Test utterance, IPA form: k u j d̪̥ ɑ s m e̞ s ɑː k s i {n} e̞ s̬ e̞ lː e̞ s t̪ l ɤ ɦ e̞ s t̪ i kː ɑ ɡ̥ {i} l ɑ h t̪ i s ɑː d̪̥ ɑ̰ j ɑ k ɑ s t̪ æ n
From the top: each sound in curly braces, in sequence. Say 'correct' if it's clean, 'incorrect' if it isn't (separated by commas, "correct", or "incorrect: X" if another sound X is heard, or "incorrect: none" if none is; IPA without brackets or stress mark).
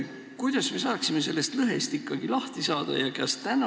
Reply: incorrect: m, correct